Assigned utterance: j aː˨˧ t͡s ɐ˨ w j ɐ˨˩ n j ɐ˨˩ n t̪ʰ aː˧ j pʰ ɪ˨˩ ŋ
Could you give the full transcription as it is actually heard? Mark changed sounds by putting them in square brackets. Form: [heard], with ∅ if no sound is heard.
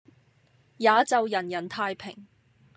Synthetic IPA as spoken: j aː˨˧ t͡s ɐ˨ w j ɐ˨˩ n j ɐ˨˩ n t̪ʰ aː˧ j pʰ ɪ˨˩ ŋ